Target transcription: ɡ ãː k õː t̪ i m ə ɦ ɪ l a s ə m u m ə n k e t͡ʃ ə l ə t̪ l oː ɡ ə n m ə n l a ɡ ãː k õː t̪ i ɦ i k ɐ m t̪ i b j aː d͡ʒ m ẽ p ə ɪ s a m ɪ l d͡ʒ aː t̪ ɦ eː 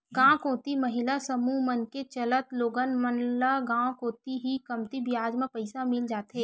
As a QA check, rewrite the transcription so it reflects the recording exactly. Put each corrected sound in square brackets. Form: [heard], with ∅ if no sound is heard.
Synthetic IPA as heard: ɡ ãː k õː t̪ i m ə ɦ ɪ l a s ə m u m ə n k e t͡ʃ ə l ə t̪ l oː ɡ ə n m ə n l a ɡ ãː k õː t̪ i ɦ i k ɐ m t̪ i b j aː d͡ʒ m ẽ p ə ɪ s a m ɪ l d͡ʒ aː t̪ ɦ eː